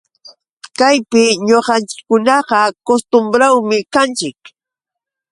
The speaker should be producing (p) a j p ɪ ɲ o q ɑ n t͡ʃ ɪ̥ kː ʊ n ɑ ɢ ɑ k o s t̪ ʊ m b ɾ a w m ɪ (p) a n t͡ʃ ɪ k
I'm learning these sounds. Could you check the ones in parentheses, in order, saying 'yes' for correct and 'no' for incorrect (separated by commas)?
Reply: no, no